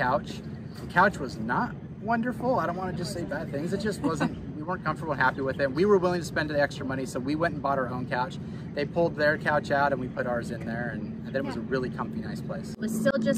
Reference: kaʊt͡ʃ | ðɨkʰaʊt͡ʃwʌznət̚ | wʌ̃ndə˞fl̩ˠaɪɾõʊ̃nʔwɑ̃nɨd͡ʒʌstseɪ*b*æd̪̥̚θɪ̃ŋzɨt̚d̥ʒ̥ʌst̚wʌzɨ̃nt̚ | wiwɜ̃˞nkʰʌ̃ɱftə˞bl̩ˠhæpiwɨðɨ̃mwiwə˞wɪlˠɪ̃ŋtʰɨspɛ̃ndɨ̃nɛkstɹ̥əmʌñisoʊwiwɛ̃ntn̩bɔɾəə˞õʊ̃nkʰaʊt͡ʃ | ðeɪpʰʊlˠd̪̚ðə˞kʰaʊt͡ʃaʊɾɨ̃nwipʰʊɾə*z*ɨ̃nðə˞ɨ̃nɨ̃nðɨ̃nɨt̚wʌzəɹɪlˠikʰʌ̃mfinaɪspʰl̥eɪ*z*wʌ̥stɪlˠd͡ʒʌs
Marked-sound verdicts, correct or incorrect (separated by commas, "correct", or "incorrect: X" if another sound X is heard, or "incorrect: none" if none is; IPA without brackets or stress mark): correct, correct, incorrect: s